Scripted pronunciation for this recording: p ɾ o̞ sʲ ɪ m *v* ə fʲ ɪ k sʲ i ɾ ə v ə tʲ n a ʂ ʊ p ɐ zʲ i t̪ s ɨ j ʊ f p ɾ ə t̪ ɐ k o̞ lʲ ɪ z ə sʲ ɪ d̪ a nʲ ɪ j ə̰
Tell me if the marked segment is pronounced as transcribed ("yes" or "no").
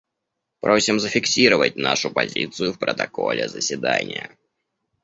no